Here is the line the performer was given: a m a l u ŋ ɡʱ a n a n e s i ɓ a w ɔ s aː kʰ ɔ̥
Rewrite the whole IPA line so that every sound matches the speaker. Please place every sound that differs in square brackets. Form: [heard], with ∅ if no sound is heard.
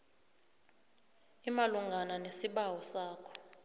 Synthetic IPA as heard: [i] m a l u ŋ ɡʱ a n a n e s i ɓ a w ɔ s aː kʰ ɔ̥